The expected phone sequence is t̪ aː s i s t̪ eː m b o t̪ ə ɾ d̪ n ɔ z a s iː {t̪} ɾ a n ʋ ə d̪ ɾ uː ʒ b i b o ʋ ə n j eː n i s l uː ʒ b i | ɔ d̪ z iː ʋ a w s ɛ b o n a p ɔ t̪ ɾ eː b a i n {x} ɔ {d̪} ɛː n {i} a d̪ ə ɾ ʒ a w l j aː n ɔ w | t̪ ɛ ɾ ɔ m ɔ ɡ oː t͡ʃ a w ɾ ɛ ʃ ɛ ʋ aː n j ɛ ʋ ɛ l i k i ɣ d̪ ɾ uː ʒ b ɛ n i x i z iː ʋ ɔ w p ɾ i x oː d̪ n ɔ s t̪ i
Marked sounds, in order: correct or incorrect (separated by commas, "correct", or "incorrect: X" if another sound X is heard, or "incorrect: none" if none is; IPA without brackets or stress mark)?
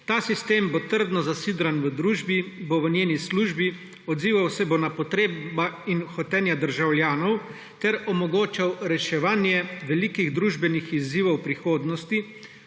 incorrect: d̪, correct, incorrect: t̪, incorrect: j